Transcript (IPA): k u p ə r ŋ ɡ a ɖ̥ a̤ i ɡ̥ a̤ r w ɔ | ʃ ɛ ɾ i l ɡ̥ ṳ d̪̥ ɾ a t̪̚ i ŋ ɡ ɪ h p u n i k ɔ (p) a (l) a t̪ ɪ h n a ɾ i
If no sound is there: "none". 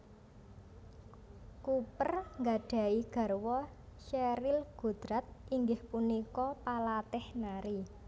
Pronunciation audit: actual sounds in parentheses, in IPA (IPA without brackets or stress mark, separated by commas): p, l